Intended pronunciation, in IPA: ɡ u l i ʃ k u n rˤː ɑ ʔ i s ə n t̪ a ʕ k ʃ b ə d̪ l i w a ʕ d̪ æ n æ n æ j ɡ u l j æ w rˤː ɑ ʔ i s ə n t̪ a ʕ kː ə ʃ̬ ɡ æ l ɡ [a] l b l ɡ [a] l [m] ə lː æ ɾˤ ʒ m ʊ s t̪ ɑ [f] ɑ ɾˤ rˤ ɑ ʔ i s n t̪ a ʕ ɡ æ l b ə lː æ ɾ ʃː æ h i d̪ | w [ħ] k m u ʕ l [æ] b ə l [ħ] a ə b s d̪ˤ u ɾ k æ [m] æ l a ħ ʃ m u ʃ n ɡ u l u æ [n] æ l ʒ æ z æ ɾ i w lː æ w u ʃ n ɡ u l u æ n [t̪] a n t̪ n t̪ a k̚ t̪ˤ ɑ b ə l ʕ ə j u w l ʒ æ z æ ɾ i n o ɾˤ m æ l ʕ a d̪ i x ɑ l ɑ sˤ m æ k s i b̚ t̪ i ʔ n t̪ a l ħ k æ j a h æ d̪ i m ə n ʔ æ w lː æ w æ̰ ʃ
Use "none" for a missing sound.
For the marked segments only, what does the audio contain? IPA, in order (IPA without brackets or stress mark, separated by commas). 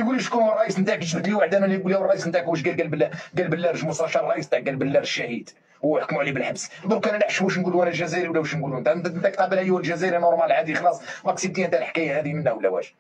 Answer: æ, æ, b, ʃ, ħ, i, ħ, n, n, t̪